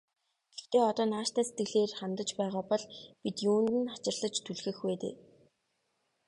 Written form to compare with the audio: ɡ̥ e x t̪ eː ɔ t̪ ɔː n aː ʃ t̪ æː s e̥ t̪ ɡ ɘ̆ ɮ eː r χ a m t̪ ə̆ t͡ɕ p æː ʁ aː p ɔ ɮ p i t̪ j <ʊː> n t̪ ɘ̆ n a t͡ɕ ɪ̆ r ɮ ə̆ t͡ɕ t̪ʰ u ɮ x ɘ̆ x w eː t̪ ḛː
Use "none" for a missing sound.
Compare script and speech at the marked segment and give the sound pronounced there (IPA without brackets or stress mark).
uː